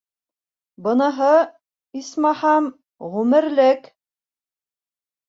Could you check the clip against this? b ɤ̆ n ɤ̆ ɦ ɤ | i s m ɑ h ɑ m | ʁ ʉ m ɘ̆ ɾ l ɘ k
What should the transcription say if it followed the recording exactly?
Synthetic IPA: b ɤ̆ n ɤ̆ ɦ ɤ | i s m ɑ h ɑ m | ʁ ʉ m ɘ̆ ɾ l ɘ k